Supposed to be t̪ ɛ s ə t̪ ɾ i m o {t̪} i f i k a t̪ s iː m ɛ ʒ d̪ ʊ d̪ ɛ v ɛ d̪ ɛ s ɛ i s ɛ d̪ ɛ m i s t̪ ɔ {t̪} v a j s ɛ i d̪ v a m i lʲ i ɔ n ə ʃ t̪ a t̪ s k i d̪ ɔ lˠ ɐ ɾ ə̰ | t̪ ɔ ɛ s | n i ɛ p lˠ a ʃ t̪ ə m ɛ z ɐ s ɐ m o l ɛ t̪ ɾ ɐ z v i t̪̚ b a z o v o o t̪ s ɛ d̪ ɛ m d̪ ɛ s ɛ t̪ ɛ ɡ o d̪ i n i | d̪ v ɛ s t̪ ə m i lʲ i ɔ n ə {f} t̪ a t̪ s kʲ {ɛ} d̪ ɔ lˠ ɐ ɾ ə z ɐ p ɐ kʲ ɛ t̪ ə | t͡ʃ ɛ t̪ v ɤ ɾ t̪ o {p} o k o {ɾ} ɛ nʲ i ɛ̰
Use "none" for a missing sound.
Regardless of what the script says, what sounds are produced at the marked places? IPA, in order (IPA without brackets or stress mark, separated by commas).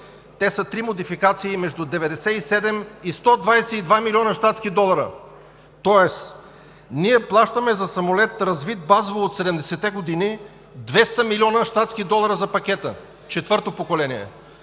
d̪, d̪, ʃ, i, p, l